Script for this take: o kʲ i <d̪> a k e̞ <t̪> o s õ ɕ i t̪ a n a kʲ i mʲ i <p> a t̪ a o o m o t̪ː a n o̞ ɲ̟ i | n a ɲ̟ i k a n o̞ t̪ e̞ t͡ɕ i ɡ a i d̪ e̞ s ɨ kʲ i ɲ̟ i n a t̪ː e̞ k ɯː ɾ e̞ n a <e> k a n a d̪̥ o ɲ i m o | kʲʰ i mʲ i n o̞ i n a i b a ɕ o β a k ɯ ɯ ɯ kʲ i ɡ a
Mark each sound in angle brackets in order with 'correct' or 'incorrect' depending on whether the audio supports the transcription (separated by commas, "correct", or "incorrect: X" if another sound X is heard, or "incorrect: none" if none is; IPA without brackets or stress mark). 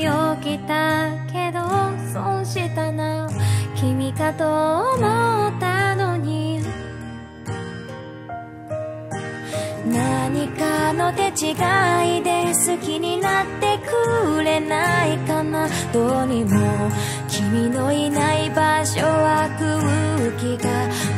incorrect: t̪, incorrect: d̪, incorrect: k, incorrect: i